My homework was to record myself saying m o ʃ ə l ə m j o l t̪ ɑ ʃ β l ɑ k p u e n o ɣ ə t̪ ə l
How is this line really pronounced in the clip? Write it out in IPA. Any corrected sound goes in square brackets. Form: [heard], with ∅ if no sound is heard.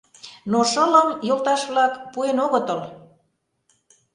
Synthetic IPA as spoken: [n] o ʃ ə l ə m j o l t̪ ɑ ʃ β l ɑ k p u e n o ɣ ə t̪ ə l